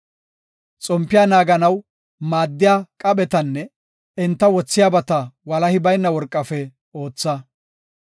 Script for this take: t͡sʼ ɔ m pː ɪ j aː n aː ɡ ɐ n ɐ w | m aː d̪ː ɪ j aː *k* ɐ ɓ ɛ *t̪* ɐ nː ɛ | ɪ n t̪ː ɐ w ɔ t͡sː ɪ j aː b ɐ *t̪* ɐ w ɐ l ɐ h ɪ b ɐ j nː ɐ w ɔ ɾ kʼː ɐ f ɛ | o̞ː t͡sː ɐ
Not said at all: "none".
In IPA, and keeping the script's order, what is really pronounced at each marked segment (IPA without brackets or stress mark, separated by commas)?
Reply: kʼ, t̪, t̪